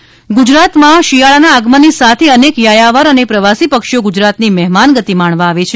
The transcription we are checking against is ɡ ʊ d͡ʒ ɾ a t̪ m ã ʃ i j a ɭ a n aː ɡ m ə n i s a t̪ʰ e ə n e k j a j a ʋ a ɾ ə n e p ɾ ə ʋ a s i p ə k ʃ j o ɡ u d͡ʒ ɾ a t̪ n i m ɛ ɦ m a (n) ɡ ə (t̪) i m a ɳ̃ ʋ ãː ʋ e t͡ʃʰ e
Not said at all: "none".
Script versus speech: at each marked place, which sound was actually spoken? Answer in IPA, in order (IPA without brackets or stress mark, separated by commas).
n, t̪